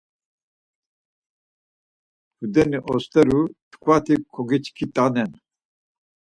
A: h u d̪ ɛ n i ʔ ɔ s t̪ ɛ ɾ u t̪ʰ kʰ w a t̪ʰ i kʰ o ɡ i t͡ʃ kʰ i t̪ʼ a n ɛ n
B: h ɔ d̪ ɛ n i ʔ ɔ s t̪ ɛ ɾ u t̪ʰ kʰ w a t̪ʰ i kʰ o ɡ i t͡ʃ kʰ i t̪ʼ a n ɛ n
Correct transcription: A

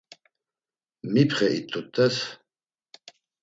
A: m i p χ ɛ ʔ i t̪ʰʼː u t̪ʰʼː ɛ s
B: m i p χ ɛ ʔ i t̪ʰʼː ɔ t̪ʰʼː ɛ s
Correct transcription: A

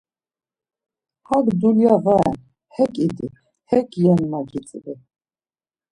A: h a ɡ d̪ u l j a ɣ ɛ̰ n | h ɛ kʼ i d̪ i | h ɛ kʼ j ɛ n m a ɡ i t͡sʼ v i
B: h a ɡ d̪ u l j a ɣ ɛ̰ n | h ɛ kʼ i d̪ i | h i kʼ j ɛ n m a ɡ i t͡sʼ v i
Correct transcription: A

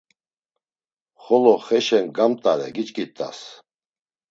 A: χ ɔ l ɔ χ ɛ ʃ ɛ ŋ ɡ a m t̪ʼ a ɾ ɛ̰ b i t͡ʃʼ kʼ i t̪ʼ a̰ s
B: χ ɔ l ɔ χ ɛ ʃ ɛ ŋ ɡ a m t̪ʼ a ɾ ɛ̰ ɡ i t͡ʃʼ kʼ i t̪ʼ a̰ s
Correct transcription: B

